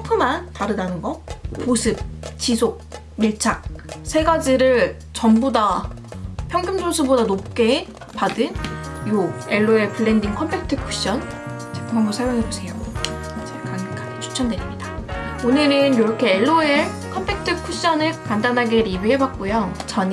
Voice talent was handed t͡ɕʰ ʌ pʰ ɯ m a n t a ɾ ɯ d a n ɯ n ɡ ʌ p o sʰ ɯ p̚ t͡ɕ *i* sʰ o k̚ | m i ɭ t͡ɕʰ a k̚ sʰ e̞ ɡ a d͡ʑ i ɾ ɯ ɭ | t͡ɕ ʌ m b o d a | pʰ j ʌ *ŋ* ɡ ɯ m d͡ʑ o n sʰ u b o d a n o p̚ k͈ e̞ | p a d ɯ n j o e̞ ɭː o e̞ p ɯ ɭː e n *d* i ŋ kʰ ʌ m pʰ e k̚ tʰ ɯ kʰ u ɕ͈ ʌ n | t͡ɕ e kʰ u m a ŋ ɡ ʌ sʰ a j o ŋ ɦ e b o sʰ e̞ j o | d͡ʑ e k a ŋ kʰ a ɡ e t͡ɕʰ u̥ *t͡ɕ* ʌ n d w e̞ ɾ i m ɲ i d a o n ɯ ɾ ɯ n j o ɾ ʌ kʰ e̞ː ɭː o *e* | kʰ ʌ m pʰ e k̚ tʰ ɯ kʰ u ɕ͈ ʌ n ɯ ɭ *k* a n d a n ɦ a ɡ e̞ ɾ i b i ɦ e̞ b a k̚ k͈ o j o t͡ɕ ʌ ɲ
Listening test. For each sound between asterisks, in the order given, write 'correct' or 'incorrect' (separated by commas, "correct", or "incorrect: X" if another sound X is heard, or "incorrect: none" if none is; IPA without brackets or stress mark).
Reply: correct, correct, correct, incorrect: t͡ɕʰ, correct, correct